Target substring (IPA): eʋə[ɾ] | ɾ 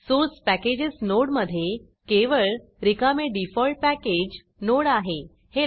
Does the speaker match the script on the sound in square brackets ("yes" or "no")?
no